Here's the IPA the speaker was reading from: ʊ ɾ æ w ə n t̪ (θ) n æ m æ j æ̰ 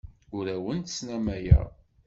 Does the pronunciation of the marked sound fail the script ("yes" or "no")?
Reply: yes